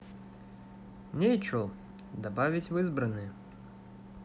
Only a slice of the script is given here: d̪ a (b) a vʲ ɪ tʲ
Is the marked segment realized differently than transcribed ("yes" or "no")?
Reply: no